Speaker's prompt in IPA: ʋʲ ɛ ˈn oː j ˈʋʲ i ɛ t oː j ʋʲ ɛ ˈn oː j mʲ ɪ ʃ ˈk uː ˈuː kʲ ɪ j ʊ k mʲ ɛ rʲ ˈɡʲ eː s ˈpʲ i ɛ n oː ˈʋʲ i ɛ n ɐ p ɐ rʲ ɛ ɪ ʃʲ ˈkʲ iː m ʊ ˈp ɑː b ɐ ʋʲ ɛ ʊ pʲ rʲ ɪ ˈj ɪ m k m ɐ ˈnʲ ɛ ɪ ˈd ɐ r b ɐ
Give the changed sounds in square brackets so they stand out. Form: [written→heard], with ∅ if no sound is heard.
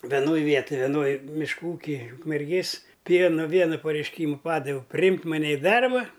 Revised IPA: ʋʲ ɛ ˈn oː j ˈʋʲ i ɛ t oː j ʋʲ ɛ ˈn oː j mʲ ɪ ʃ ˈk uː ˈuː kʲ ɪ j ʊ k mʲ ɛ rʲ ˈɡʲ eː s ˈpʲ i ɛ n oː ˈʋʲ i ɛ n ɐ p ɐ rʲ ɛ ɪ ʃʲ ˈkʲ iː m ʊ ˈp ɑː [b→d] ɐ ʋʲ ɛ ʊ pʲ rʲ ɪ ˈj ɪ m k m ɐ ˈnʲ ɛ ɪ ˈd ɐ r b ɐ